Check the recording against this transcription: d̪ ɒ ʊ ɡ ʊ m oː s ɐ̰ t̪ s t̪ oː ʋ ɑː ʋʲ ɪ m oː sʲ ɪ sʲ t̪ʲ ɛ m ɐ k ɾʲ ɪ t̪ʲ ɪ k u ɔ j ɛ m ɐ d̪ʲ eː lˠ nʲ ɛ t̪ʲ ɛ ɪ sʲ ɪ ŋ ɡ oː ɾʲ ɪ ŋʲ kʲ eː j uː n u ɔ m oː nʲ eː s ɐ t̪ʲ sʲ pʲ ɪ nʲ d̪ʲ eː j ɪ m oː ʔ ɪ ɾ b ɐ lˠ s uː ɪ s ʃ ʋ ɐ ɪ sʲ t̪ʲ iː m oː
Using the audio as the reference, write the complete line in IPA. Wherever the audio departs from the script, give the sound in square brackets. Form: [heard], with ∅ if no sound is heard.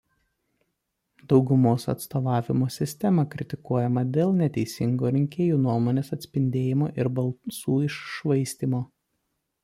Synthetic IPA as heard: d̪ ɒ ʊ ɡ ʊ m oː s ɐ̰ t̪ s t̪ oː ʋ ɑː ʋʲ ɪ m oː sʲ ɪ sʲ t̪ʲ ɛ m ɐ k ɾʲ ɪ t̪ʲ ɪ k u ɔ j ɛ m ɐ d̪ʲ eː lˠ nʲ ɛ t̪ʲ ɛ ɪ sʲ ɪ ŋ ɡ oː ɾʲ ɪ ŋʲ kʲ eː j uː n u ɔ m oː nʲ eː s ɐ t̪ʲ sʲ pʲ ɪ nʲ d̪ʲ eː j ɪ m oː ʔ ɪ ɾ b ɐ lˠ s uː ɪ [ʃ] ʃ ʋ ɐ ɪ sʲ t̪ʲ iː m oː

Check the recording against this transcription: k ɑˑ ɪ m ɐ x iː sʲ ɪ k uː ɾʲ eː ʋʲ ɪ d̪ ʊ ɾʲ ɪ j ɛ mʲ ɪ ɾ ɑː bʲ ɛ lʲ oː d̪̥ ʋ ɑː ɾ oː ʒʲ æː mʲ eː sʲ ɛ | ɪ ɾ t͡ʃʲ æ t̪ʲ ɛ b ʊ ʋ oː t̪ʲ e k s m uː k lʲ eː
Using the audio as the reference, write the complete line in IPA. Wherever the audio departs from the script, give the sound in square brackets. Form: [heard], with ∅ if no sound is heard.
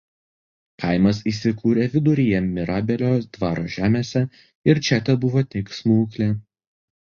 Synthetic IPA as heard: k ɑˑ ɪ m ɐ [s] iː sʲ ɪ k uː ɾʲ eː ʋʲ ɪ d̪ ʊ ɾʲ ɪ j ɛ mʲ ɪ ɾ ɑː bʲ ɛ lʲ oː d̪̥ ʋ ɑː ɾ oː ʒʲ æː mʲ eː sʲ ɛ | ɪ ɾ t͡ʃʲ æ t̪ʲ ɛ b ʊ ʋ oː t̪ʲ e k s m uː k lʲ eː

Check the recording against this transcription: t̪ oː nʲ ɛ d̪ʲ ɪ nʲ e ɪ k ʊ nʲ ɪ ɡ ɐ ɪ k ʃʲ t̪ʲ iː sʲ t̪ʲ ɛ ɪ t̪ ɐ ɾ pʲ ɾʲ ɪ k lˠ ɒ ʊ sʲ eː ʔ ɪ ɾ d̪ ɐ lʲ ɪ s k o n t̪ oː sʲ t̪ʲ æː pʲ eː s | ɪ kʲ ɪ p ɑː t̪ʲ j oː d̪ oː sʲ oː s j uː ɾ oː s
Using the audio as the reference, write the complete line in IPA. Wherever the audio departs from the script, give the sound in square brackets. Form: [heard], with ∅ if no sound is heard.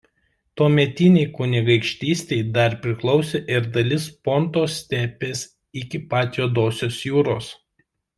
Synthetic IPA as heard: t̪ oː [mʲ] ɛ [t̪ʲ] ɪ nʲ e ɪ k ʊ nʲ ɪ ɡ ɐ ɪ k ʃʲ t̪ʲ iː sʲ t̪ʲ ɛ ɪ [d̪] ɐ ɾ pʲ ɾʲ ɪ k lˠ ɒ ʊ sʲ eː ʔ ɪ ɾ d̪ ɐ lʲ ɪ s [p] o n t̪ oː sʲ t̪ʲ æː pʲ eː s | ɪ kʲ ɪ p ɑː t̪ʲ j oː d̪ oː sʲ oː s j uː ɾ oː s

